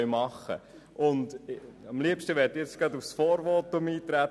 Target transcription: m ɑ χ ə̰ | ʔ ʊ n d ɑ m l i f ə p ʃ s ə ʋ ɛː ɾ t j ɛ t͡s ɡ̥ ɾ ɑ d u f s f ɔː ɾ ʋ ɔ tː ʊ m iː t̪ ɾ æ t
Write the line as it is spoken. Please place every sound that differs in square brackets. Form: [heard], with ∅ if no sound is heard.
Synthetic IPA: m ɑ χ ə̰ | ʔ ʊ n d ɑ m l i [∅] ə p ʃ [t] ə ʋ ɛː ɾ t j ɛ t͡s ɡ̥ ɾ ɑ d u f s f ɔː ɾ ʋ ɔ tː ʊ m iː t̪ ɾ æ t